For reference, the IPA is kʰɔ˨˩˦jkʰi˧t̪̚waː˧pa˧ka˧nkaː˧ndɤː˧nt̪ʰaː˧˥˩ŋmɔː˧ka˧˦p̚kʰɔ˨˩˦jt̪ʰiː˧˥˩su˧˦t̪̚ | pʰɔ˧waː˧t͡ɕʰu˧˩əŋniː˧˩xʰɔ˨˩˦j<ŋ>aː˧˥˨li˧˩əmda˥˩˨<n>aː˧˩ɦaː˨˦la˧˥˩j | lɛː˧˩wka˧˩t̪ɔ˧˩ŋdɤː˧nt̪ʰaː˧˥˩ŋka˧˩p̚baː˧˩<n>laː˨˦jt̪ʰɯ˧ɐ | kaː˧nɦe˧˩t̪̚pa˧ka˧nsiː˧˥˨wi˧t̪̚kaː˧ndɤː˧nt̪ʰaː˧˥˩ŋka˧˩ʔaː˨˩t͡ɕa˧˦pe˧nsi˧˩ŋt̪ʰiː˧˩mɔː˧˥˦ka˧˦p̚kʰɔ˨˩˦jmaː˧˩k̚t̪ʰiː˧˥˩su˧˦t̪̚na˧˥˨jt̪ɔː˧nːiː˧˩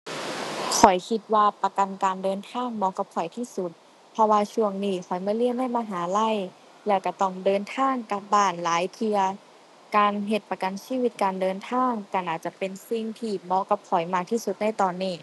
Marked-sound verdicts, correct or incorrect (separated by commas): incorrect, incorrect, correct